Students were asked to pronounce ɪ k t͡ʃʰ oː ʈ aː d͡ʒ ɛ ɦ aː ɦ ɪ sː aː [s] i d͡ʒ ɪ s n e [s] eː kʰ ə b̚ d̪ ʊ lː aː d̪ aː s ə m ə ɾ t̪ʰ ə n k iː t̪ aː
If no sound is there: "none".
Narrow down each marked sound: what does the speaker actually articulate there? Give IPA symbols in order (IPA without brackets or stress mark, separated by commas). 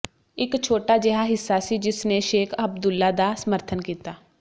s, ʃ